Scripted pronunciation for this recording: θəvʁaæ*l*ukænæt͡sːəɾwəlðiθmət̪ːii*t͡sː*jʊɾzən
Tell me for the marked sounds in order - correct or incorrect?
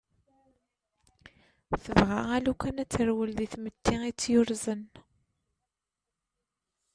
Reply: correct, correct

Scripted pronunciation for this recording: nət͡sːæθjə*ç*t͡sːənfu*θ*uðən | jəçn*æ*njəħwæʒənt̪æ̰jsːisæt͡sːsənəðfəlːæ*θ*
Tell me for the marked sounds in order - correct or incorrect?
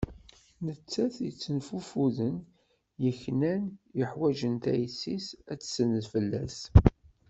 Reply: incorrect, incorrect, correct, incorrect

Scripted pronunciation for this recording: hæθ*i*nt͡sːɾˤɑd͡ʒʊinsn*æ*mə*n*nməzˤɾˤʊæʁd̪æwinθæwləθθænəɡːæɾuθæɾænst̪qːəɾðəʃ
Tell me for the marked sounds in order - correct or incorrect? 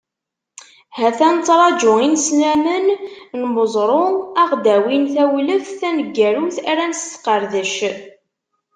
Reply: incorrect, correct, correct

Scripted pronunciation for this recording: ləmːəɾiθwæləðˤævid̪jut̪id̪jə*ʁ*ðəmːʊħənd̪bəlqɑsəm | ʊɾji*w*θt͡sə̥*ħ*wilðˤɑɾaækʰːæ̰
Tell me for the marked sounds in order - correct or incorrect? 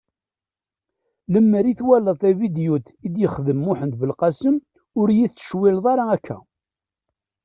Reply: incorrect, incorrect, incorrect

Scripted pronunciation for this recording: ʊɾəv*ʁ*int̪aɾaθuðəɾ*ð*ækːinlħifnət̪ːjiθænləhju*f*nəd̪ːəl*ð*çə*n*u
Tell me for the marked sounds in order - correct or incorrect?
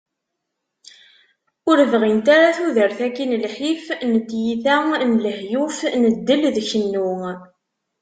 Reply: correct, incorrect, correct, correct, incorrect

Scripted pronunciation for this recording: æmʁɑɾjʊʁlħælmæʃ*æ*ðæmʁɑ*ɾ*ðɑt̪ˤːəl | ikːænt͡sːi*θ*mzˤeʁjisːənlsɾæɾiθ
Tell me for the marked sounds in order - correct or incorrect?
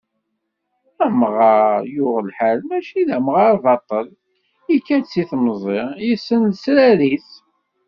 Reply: incorrect, correct, correct

